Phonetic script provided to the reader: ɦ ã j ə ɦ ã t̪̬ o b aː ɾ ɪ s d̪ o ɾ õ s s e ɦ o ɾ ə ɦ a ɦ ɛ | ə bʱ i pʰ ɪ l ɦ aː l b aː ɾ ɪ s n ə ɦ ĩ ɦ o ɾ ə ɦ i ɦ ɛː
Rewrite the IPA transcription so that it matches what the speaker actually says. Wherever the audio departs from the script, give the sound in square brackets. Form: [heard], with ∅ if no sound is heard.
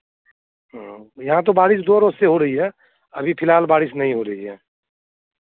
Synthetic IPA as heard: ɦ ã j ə ɦ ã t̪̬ o b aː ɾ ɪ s d̪ o ɾ [o] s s e ɦ o ɾ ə ɦ [i] ɦ ɛ | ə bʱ i pʰ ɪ l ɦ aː l b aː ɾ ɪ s n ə ɦ ĩ ɦ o ɾ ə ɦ i ɦ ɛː